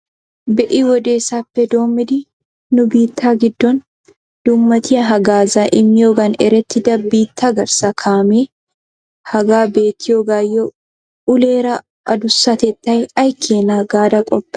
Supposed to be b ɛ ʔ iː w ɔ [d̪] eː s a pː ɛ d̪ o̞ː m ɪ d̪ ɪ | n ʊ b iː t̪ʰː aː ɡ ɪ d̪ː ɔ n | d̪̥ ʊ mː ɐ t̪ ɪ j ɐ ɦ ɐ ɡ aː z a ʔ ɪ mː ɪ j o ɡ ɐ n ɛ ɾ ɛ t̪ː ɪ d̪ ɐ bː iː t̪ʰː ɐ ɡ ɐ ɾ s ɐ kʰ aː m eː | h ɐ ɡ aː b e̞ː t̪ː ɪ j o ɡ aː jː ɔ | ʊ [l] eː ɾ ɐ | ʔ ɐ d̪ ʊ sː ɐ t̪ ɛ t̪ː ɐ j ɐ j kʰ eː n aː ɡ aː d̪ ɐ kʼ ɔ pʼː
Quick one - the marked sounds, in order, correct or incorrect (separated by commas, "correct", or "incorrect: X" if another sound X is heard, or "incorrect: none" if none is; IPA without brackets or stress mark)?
correct, correct